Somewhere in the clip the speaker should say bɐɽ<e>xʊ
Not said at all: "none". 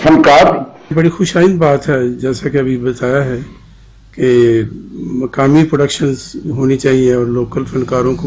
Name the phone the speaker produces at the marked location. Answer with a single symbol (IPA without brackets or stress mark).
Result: i